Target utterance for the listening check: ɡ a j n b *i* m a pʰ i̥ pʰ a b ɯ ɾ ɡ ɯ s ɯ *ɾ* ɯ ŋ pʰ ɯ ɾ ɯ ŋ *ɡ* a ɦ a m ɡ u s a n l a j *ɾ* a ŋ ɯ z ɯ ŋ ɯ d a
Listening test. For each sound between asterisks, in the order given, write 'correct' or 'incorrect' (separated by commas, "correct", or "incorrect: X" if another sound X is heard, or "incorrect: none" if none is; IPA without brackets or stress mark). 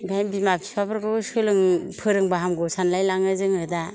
correct, incorrect: l, incorrect: b, incorrect: l